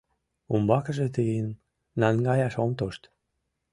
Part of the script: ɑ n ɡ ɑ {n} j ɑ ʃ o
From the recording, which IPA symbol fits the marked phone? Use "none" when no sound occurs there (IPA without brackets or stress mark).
none